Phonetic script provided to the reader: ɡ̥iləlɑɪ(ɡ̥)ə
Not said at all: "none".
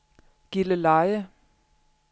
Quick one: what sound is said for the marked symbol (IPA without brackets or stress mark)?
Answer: none